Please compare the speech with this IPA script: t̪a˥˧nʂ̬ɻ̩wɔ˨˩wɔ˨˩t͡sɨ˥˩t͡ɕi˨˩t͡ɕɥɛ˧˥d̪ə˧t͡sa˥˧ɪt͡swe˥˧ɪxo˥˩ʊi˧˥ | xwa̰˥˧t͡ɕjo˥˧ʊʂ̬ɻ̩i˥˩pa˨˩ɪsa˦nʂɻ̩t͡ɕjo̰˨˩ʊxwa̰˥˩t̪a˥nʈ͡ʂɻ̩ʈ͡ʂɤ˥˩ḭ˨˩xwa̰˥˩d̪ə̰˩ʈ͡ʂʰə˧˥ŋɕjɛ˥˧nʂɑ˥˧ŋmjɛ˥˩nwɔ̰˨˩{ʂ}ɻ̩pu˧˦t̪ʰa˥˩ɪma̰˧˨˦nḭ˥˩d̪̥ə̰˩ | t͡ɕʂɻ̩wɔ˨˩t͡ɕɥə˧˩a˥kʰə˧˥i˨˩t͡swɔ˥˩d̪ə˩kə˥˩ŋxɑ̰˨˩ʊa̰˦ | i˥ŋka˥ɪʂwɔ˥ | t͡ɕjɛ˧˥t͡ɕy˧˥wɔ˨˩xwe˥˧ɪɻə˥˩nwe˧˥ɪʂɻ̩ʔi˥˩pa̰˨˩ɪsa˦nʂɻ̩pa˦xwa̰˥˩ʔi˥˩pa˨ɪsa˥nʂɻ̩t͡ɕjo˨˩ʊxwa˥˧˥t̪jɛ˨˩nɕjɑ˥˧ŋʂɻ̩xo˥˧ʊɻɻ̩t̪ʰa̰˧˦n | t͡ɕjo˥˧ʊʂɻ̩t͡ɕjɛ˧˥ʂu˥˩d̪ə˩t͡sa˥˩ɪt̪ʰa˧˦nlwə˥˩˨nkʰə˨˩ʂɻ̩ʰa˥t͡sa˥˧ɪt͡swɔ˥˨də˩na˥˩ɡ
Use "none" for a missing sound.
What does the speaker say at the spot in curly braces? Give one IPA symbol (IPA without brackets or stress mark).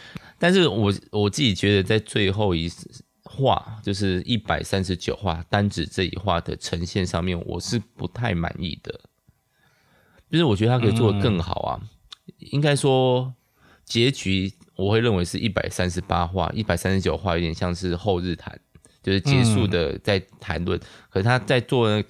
ʂ